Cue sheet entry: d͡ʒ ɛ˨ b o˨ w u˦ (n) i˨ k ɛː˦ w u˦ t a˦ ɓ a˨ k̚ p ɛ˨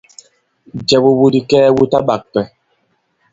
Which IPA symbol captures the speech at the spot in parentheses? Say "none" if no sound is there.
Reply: d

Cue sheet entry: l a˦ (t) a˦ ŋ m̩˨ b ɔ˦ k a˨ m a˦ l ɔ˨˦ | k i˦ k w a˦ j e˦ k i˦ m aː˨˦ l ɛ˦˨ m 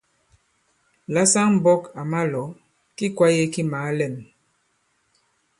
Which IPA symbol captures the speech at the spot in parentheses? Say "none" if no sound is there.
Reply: s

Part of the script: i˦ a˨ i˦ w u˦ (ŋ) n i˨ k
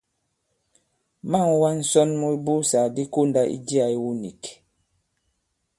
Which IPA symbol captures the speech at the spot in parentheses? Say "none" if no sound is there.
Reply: none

